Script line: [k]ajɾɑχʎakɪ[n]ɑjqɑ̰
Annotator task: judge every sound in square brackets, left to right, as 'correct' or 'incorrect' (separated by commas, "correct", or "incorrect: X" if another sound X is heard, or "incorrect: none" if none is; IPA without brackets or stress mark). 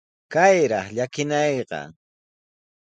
correct, correct